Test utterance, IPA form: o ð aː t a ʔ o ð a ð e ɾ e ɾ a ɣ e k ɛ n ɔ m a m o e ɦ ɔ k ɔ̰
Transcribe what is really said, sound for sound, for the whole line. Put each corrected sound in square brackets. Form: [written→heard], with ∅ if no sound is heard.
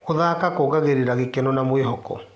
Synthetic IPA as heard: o ð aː [t→k] a [ʔ→k] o [ð→ɣ] a [ð→ɣ] e ɾ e ɾ a ɣ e k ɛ n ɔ [m→n] a m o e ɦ ɔ k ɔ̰